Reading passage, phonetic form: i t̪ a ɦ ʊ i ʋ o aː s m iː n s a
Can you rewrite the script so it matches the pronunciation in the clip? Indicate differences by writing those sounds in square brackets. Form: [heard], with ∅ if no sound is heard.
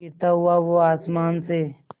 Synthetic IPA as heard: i t̪ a ɦ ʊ [a] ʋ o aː s m [aː] n s [e]